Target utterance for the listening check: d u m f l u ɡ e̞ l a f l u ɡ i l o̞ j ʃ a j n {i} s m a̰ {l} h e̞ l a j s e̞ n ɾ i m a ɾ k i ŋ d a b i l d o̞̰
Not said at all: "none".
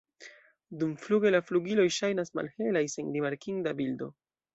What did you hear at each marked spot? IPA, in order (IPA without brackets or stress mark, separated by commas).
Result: a, l